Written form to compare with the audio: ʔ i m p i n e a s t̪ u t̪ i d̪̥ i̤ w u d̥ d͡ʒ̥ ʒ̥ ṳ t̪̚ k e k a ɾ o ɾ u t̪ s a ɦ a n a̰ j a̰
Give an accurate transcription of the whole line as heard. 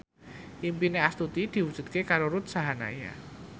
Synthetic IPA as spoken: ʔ i m p i n e a s t̪ u t̪ i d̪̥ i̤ w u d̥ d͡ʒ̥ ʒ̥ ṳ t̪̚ k e k a ɾ o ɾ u t̪ s a ɦ a n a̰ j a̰